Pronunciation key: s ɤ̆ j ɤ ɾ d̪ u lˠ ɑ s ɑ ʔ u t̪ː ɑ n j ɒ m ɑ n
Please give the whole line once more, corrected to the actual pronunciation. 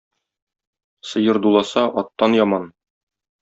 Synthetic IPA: s ɤ̆ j ɤ ɾ d̪ u lˠ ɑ s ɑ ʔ ɒ t̪ː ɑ n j ɒ m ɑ n